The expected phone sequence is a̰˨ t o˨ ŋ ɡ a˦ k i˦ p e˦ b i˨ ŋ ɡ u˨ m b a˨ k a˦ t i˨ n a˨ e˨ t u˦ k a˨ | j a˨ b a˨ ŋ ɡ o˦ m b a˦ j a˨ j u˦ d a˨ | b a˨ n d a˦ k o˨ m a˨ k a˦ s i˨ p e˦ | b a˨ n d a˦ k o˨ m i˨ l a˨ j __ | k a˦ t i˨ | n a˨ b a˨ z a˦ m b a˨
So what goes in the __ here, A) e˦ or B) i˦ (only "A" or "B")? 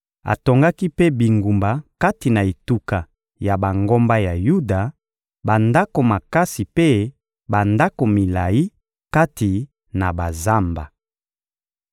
B